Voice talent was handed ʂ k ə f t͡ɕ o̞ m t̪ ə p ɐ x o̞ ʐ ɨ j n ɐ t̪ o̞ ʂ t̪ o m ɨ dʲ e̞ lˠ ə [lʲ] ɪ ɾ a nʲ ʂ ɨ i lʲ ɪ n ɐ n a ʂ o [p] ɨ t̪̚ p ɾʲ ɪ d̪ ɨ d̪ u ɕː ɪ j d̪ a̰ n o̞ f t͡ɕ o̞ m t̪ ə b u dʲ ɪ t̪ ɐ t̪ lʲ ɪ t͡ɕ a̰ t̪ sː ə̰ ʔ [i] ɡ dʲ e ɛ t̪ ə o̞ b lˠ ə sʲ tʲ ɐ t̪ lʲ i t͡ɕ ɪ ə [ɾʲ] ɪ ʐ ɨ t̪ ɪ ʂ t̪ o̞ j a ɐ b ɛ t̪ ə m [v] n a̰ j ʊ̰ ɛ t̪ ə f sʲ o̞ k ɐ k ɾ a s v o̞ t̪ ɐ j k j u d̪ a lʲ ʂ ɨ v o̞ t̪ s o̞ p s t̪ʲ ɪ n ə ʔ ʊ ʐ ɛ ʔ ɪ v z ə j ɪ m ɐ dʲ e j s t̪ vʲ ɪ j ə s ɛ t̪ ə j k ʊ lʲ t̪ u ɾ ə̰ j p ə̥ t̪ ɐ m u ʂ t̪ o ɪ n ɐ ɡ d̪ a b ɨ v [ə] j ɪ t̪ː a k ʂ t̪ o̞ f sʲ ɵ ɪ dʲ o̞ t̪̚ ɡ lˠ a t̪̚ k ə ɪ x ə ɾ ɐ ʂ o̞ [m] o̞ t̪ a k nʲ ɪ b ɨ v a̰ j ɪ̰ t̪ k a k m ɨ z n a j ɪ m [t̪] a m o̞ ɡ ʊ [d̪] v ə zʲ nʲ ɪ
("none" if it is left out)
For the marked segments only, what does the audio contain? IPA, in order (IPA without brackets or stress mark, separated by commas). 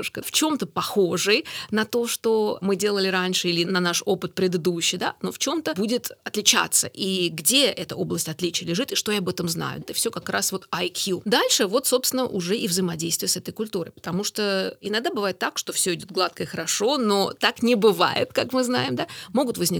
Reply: lʲ, p, i, lʲ, z, a, n, d̪, t̪